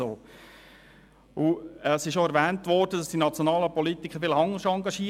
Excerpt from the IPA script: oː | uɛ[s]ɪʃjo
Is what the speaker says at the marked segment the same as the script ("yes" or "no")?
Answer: yes